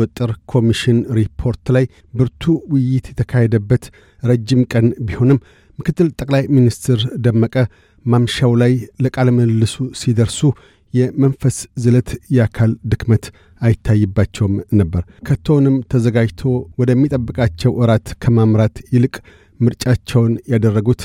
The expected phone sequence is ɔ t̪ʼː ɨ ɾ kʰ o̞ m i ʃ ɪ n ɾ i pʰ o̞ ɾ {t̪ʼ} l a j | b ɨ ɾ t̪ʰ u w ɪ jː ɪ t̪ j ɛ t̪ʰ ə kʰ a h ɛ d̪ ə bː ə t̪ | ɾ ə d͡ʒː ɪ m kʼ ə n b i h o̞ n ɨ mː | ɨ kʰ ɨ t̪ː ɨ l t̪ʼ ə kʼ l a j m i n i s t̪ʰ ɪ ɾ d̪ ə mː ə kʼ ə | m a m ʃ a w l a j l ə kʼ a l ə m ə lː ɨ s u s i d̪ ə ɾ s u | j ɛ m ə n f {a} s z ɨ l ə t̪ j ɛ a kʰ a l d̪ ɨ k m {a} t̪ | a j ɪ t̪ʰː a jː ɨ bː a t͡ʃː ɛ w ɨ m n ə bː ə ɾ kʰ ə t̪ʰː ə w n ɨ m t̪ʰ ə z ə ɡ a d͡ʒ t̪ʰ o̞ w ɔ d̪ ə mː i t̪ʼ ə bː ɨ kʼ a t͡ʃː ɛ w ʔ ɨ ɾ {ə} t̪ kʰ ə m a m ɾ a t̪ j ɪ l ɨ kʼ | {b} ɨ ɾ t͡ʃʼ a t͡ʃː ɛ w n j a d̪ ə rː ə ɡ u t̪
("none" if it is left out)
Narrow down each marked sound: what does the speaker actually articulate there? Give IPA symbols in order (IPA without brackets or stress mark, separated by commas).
t̪, ə, ə, a, m